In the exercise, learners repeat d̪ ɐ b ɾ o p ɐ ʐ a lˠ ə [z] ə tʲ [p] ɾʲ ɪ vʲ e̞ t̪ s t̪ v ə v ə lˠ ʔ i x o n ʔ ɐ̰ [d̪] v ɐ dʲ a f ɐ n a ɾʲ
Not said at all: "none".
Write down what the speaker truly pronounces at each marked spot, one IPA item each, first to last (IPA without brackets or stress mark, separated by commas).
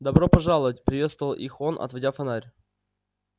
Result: v, p, t̪